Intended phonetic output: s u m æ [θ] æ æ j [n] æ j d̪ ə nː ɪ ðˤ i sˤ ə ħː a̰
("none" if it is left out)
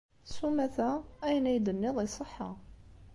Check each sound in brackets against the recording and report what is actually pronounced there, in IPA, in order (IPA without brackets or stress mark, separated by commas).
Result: θ, n